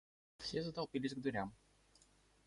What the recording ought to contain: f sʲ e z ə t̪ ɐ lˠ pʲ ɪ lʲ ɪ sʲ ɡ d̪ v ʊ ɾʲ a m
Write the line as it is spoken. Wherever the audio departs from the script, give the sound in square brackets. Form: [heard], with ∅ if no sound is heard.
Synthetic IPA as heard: f sʲ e z ə t̪ ɐ lˠ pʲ [i] lʲ ɪ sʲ ɡ d̪ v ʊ ɾʲ a m